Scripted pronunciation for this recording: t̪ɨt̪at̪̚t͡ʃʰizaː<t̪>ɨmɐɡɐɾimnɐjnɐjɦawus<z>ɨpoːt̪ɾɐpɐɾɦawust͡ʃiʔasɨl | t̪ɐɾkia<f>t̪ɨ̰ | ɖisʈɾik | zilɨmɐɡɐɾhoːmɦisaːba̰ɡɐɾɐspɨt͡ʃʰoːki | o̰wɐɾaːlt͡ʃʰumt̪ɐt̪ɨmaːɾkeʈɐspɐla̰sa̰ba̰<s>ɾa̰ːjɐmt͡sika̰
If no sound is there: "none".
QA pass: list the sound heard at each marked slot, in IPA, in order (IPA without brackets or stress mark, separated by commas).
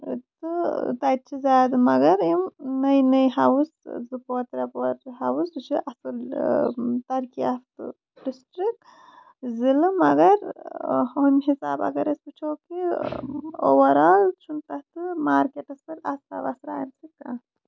d̪, z, f, s